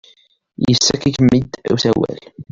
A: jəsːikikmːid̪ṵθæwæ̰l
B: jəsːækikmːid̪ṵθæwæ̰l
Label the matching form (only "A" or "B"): B